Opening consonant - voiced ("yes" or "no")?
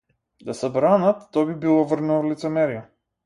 yes